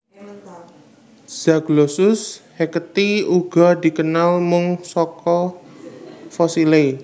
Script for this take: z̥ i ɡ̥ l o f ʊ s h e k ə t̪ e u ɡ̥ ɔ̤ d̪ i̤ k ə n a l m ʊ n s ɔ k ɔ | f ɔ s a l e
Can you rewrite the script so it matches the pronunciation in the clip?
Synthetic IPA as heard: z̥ a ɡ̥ l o s ʊ s h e k ə t̪ i u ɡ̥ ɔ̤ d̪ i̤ k ə n a l m ʊ ŋ s ɔ k ɔ | f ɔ s i l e